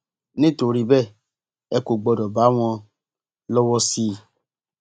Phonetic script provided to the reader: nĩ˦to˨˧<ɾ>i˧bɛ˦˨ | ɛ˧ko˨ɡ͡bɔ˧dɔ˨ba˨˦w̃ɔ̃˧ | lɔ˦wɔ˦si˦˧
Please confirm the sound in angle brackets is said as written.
yes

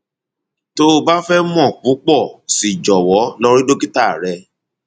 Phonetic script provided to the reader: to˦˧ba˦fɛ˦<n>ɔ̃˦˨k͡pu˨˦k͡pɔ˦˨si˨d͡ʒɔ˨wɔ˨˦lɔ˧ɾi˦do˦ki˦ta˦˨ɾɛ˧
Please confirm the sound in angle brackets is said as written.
no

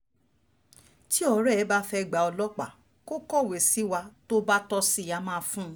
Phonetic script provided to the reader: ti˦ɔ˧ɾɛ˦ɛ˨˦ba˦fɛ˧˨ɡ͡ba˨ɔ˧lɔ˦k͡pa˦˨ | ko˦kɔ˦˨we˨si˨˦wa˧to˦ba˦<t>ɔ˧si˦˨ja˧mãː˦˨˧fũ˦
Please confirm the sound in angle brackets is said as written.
yes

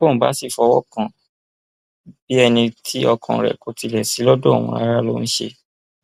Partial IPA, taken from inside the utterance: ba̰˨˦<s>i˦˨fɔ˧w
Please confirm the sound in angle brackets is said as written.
yes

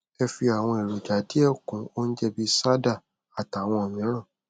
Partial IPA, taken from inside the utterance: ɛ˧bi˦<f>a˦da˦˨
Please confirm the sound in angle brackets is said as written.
no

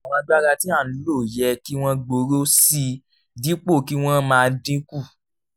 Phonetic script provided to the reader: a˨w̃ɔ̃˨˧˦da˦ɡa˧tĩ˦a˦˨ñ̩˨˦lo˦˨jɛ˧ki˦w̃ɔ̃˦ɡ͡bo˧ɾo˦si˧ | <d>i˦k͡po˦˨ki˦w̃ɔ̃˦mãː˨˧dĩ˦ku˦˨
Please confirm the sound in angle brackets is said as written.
yes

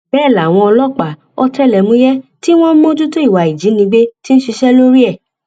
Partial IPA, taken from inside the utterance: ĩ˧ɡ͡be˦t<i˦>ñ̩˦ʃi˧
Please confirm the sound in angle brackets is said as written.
yes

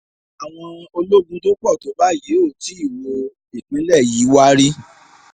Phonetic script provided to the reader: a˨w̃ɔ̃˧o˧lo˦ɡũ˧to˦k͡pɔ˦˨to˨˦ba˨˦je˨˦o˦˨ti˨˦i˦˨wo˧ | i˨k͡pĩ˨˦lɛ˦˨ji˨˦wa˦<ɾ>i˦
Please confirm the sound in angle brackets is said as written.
yes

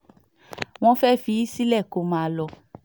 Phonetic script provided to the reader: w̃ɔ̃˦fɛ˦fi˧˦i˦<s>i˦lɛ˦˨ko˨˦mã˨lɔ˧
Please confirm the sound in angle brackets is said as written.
yes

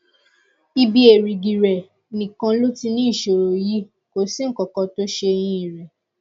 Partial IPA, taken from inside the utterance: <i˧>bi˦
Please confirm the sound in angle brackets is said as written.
yes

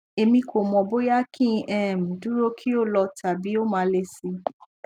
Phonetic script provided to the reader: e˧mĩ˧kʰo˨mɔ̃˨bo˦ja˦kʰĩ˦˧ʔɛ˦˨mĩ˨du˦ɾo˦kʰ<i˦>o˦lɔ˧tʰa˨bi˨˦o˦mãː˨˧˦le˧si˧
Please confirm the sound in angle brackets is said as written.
yes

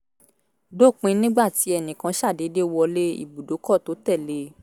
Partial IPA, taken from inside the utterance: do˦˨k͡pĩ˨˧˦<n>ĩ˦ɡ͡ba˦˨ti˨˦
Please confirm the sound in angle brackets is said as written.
yes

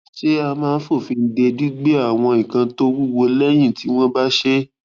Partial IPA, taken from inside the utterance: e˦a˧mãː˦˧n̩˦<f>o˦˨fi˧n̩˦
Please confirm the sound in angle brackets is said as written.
yes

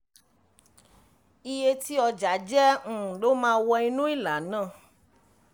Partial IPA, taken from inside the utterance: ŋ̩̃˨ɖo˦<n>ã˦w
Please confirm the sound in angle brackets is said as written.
no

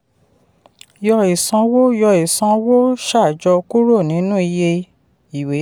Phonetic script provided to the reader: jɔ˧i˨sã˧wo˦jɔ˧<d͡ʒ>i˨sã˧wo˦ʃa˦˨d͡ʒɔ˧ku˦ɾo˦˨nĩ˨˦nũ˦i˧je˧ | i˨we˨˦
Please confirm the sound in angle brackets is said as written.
no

